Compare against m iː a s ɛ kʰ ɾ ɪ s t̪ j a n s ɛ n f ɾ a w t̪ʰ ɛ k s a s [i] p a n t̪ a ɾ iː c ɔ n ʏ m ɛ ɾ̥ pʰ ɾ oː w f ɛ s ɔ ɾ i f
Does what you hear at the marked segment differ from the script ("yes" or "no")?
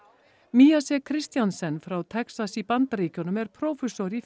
no